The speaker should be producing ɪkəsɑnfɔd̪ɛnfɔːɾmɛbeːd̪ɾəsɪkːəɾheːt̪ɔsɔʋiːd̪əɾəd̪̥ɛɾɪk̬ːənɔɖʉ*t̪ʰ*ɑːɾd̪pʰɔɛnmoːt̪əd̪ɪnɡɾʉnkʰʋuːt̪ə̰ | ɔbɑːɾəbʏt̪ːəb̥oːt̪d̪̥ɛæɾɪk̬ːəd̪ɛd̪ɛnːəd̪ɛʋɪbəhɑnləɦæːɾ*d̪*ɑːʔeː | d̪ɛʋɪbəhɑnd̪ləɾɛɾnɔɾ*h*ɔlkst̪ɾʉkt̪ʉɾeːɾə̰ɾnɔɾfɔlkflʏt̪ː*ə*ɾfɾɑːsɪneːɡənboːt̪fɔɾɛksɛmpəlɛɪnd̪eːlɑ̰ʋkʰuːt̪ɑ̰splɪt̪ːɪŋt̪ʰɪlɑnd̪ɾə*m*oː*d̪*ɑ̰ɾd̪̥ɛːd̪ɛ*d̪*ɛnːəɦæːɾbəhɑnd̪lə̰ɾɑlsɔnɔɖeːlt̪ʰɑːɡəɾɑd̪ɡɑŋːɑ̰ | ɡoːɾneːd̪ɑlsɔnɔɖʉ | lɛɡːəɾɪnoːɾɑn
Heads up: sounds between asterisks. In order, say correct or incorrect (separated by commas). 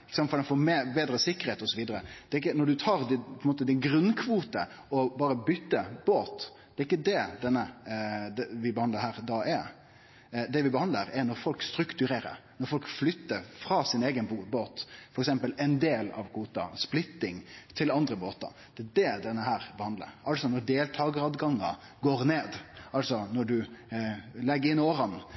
correct, correct, incorrect, correct, incorrect, incorrect, correct